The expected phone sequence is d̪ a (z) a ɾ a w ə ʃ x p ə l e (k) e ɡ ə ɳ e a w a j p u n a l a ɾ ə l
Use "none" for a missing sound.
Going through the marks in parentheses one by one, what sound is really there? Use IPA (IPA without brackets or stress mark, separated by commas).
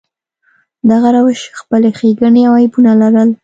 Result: ɣ, x